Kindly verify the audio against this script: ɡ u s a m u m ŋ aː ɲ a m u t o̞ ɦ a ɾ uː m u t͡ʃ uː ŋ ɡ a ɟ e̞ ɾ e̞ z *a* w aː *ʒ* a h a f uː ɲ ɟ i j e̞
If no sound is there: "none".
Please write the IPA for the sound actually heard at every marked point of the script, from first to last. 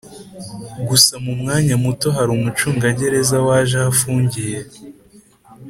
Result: a, ʒ

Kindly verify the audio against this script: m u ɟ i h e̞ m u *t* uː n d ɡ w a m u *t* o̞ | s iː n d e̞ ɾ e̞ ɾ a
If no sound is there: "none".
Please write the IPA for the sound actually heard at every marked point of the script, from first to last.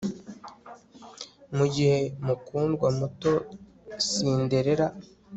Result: k, t

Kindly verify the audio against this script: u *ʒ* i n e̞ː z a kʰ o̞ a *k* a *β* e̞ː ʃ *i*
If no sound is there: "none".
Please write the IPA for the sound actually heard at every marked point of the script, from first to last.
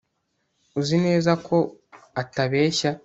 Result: z, t, β, a

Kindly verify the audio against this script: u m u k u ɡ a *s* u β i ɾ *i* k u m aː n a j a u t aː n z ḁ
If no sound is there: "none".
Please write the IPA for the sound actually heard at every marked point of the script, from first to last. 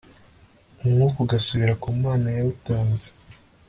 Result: s, a

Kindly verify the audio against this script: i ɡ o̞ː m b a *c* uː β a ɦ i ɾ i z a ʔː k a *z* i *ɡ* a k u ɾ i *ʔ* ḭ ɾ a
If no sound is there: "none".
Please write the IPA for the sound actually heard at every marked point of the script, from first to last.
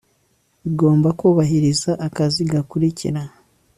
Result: k, z, ɡ, c

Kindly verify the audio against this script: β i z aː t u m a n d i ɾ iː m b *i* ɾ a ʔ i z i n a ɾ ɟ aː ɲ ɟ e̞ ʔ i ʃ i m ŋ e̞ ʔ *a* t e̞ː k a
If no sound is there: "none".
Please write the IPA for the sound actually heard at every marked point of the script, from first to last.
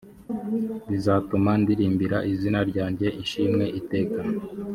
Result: i, i

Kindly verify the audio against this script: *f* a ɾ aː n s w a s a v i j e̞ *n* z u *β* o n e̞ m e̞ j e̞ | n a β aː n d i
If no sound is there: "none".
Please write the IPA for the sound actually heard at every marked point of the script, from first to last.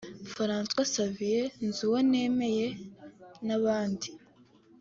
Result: f, n, w

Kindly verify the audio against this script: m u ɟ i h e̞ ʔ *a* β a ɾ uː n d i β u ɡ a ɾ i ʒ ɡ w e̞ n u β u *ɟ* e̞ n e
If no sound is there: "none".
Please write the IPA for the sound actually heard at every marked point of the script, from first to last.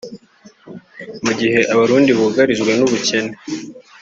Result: a, c

